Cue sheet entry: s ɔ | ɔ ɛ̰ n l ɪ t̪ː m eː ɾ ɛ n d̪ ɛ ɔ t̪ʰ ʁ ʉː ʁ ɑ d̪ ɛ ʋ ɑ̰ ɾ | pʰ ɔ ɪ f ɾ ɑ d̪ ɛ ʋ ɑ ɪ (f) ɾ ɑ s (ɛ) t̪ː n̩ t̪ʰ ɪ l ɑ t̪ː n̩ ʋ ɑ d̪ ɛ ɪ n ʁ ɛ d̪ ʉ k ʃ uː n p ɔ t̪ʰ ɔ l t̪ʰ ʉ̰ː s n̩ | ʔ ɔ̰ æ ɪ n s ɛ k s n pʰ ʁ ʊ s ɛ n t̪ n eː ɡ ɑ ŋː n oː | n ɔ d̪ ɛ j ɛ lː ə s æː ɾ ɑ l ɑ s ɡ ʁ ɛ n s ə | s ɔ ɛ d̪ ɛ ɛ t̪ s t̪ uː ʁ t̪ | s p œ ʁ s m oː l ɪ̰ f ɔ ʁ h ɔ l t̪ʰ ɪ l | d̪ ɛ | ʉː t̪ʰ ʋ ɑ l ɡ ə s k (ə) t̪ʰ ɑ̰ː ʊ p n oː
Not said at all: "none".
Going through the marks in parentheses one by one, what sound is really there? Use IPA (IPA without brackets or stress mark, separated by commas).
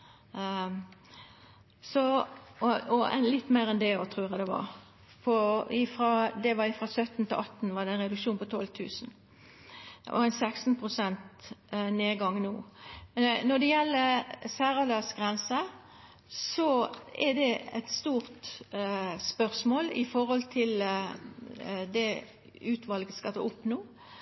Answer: f, œ, ɑ